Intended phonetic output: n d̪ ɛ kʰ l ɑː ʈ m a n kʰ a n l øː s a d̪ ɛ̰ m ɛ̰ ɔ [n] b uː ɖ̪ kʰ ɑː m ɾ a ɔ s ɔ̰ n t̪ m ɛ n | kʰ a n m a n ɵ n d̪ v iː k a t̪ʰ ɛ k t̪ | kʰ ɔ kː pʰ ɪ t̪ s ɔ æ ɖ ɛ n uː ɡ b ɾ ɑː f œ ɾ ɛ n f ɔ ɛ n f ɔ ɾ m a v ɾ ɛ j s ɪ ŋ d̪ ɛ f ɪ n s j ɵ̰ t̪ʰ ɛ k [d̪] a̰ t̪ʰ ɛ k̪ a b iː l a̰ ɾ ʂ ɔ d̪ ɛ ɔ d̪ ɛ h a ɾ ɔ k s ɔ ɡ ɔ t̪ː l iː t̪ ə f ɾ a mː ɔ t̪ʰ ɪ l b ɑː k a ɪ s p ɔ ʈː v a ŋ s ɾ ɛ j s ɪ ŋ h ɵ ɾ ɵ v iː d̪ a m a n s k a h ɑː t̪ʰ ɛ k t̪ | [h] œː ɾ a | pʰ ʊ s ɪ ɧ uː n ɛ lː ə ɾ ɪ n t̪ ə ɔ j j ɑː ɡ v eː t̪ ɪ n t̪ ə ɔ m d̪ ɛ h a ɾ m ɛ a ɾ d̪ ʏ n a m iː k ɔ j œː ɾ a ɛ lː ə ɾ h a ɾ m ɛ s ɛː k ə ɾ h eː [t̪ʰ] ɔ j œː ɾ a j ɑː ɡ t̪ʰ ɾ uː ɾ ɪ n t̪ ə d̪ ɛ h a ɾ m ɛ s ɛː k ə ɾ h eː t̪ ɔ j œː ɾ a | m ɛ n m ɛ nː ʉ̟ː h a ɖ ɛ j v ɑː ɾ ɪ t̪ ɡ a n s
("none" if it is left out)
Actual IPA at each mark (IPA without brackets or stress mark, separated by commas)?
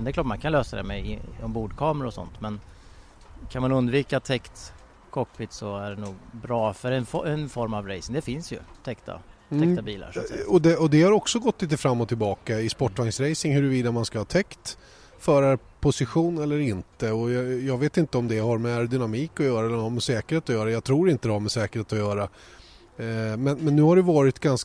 m, t̪, f, t̪